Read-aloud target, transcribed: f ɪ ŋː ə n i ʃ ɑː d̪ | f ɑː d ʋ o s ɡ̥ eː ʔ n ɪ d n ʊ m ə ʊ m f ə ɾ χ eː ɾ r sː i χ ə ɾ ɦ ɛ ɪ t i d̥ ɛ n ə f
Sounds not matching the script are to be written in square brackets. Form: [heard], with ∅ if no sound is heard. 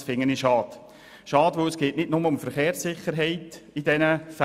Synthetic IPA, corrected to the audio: f ɪ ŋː ə n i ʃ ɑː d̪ | [ʃ] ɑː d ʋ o s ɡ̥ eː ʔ n ɪ d n ʊ m ə ʊ m f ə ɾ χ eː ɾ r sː [ɪ] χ ə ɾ ɦ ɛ ɪ t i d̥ ɛ n ə f

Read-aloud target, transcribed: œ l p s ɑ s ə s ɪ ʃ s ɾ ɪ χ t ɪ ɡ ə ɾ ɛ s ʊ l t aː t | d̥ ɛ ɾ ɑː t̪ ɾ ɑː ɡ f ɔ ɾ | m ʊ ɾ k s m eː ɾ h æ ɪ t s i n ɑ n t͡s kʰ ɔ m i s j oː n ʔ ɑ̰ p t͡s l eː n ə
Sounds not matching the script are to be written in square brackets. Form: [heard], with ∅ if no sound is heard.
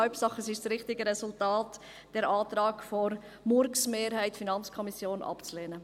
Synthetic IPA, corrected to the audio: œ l p s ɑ [χ] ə s ɪ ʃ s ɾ ɪ χ t ɪ ɡ ə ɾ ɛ s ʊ l t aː t | d̥ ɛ ɾ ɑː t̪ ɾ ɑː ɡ f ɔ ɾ | m ʊ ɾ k s m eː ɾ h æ ɪ t [f] i n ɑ n t͡s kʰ ɔ m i s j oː n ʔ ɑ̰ p t͡s l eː n ə

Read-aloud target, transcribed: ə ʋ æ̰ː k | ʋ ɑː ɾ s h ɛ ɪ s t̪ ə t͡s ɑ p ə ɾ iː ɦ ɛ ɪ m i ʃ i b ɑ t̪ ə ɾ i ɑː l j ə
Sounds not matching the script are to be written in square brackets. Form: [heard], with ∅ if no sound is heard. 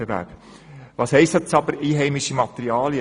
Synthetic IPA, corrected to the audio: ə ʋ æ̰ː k | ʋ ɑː [∅] s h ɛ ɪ s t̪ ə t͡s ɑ [b] ə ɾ iː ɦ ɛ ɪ m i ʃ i [m] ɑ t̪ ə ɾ i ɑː l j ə

